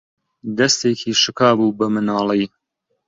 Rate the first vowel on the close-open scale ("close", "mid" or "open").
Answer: open